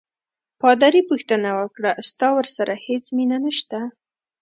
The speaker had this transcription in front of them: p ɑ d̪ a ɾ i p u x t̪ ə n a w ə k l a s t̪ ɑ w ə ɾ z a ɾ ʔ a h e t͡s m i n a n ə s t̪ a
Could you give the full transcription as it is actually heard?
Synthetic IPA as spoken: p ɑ d̪ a ɾ i p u x t̪ ə n a w ə k ɽ a s t̪ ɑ w ə ɾ s a ɾ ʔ a h e t͡s m i n a n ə ʃ t̪ a

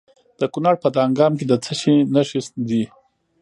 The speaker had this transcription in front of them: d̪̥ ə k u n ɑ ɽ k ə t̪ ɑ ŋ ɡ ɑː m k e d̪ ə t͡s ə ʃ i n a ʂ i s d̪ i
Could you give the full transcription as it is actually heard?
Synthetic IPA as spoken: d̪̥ ə k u n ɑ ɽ p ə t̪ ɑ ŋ ɡ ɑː m k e d̪ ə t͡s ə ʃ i n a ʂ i s d̪ i

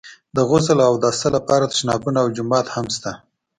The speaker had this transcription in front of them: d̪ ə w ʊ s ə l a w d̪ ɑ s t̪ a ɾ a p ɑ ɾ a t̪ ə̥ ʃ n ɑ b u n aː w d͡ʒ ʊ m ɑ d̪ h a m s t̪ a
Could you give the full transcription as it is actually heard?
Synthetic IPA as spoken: d̪ ə ɣ ʊ z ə l a w d̪ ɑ s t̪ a l a p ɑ ɾ a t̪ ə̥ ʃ n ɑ b u n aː w d͡ʒ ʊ m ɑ t̪ h a m s t̪ a

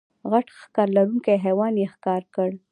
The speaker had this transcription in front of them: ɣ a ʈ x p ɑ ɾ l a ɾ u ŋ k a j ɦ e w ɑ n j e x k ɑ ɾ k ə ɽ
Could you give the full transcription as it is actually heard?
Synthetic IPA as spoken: ɣ a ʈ x k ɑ ɾ l a ɾ u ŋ k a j ɦ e w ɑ n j e x k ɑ ɾ k ə ɽ

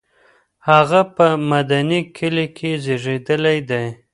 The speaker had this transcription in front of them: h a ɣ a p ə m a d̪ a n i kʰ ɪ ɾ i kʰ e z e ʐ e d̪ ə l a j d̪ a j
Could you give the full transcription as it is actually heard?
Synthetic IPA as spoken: h a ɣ a p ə m a d̪ a n i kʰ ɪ l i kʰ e z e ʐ e d̪ ə l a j d̪ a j

